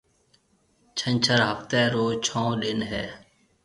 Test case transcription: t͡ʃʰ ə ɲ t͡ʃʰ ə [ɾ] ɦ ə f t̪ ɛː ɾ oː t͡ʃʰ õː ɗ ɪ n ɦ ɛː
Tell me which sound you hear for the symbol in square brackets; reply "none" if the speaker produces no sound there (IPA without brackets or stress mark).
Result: ɾ